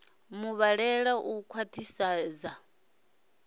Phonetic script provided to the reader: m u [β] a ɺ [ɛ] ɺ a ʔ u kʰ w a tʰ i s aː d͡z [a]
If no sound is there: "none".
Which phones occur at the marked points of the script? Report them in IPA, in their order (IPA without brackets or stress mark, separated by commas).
β, ɛ, a